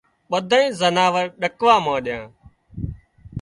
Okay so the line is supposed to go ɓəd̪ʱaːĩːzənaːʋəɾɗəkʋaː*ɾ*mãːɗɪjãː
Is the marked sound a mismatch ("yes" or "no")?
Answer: yes